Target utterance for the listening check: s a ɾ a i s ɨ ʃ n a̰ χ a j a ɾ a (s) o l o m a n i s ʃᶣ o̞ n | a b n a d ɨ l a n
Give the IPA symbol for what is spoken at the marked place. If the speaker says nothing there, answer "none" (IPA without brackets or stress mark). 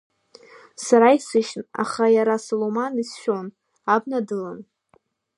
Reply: s